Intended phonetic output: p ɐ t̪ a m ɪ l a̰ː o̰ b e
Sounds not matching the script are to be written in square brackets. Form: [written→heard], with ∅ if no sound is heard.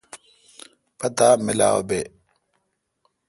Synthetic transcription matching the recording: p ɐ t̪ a m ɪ l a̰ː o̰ b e